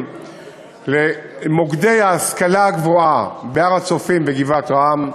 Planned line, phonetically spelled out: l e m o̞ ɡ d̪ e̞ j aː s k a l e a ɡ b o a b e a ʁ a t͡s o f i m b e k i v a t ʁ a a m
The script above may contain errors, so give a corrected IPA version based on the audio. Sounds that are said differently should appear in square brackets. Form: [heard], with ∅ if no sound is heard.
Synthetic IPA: l e m o̞ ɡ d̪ e̞ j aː s k a l [a] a ɡ [v] o a b e a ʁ a t͡s o f i m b e [ɡ] i v a t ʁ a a m

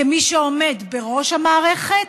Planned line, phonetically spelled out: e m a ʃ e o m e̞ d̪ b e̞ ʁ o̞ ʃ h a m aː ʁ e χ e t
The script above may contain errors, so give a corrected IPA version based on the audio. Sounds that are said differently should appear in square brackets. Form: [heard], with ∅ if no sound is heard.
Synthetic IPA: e m [i] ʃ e o m e̞ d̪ b e̞ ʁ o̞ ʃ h a m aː ʁ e χ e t

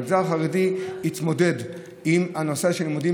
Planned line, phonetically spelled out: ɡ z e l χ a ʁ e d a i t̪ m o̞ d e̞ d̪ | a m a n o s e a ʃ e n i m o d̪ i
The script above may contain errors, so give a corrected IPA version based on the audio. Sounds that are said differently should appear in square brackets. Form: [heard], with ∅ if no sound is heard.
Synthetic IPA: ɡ z [a] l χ a ʁ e d [i] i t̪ m o̞ d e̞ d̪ | [i] m a n o s e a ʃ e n i m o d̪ i

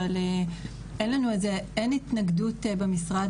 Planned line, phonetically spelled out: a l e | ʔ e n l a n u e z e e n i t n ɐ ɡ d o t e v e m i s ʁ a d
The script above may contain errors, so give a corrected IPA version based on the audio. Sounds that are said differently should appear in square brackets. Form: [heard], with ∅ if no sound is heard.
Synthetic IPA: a l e | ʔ e n l a n u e z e e n i t n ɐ ɡ d [u] t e [b] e m i s ʁ a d

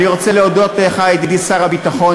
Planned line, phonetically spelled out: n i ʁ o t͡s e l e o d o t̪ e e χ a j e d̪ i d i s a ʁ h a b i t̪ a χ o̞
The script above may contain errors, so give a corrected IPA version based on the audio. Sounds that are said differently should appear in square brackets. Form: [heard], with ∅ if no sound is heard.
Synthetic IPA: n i ʁ o t͡s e l e o d o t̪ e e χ a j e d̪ i d i s a ʁ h a b i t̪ a χ o̞

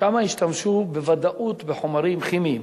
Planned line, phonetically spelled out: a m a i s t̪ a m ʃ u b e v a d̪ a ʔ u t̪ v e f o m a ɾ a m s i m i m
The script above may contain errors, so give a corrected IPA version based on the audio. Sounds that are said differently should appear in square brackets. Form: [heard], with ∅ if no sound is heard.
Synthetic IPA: a m a i [ʃ] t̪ a m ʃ u b e v a d̪ a ʔ u t̪ [b] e [ħ] o m a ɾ [i] m [χ] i m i m

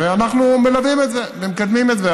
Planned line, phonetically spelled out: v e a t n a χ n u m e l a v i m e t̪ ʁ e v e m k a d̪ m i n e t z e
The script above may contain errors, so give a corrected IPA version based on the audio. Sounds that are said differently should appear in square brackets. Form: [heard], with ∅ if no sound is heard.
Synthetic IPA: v e a [∅] n a χ n u m e l a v i m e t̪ [z] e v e m k a d̪ m i [m] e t z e

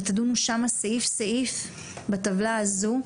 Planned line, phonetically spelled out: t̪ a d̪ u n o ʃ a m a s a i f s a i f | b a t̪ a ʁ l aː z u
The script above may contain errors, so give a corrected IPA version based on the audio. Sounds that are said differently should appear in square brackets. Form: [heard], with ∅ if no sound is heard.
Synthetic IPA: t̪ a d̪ u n [u] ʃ a m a s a i f s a i f | b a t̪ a [v] l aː z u

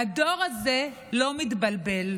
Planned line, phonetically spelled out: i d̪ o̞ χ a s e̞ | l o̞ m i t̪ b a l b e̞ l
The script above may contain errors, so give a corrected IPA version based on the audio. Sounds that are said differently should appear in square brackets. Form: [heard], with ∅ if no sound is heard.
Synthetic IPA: [a] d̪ o̞ [ʁ] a [z] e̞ | l o̞ m i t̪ b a l b e̞ l

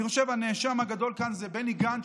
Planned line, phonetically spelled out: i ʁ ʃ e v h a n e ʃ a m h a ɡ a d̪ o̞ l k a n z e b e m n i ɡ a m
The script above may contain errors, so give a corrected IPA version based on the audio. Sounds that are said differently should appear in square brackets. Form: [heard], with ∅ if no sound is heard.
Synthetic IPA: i ʁ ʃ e v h a n e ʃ a m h a ɡ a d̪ o̞ l k a n z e b e [∅] n i ɡ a [n]

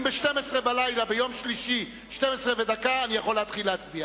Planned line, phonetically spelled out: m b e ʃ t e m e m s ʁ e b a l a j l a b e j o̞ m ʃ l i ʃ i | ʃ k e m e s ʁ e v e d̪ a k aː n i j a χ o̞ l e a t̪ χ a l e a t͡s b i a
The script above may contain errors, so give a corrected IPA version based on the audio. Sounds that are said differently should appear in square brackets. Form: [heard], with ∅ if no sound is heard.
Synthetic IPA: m b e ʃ t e m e [∅] s ʁ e b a l a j l a b e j o̞ m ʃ l i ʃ i | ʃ [t] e m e s ʁ e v e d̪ a k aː n i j a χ o̞ l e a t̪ χ [i] l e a t͡s b i a

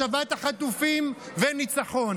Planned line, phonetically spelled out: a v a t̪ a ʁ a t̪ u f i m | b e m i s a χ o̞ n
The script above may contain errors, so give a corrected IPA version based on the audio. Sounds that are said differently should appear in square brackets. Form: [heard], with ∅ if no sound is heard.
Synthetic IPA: a v a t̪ a [χ] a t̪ u f i m | [v] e [n] i [t͡s] a χ o̞ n

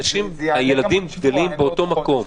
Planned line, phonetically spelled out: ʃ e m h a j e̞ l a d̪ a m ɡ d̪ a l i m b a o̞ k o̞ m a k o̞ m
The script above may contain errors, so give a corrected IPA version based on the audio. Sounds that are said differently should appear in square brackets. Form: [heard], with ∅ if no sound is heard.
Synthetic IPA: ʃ [i] m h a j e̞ l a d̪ [i] m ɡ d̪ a l i m b [e] o̞ [t] o̞ m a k o̞ m

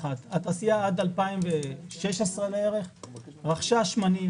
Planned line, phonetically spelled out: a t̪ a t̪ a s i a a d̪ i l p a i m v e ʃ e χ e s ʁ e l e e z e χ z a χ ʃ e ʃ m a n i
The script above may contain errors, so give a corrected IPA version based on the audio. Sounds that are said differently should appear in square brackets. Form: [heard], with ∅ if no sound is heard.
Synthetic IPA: a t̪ a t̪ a s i a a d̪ [a] l p a i m v e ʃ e [ʃ] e s ʁ e l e e [ʁ] e χ [ʁ] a χ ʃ [a] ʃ m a n i

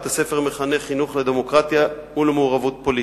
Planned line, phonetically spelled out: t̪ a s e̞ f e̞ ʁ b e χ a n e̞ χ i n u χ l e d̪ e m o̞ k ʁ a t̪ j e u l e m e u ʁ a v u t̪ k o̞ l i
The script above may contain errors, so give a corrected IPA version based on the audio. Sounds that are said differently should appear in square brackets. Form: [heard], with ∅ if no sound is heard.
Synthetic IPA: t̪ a s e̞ f e̞ ʁ [m] e χ a n e̞ χ i n u χ l e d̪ e m o̞ k ʁ a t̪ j [a] u l e m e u ʁ a v u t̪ [p] o̞ l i

